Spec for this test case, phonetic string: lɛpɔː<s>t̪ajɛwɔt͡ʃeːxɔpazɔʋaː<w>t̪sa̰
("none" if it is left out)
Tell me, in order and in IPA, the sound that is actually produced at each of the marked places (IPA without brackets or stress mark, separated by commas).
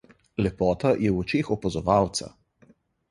none, w